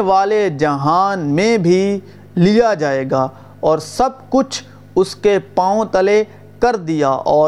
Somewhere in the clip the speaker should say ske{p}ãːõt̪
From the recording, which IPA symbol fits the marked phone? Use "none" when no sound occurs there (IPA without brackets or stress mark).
p